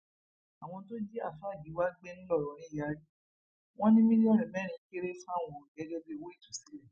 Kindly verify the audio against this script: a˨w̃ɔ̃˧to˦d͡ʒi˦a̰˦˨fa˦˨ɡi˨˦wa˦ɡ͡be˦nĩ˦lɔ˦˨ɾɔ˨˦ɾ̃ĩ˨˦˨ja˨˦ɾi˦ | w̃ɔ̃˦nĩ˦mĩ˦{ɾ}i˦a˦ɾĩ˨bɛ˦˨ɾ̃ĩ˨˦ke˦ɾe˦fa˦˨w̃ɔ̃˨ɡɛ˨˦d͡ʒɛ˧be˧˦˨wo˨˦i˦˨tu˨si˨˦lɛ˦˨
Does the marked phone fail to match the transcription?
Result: yes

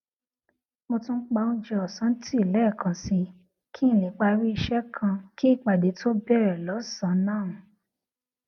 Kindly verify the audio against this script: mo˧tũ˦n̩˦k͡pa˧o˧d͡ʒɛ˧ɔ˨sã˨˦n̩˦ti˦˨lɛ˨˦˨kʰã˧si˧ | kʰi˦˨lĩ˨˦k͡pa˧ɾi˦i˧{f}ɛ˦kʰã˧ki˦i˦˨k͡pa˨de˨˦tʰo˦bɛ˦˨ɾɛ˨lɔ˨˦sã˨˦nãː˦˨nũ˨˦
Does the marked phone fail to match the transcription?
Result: yes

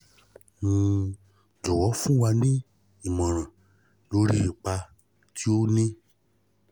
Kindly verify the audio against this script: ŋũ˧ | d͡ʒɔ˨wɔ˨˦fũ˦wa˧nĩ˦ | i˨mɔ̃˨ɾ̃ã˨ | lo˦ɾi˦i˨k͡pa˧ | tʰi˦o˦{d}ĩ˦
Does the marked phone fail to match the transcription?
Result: yes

